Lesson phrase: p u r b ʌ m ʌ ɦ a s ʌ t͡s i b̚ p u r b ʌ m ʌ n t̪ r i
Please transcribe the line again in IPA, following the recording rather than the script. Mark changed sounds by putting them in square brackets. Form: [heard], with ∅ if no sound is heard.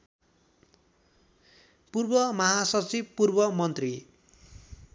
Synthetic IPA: p u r b ʌ m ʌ ɦ a s ʌ t͡s i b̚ p u r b ʌ m ʌ n t̪ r i